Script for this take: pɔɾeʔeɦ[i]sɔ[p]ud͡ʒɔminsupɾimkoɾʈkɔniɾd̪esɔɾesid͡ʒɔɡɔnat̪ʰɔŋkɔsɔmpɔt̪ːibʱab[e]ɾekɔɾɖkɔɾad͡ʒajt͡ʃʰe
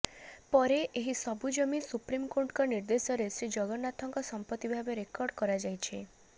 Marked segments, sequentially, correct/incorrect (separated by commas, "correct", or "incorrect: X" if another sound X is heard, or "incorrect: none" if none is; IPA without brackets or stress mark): correct, incorrect: b, correct